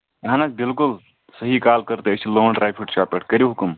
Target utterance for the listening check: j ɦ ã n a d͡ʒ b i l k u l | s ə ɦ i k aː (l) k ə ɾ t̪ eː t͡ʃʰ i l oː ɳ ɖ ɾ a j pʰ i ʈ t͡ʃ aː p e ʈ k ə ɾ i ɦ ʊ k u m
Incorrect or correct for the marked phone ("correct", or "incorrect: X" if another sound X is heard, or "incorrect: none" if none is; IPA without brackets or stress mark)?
correct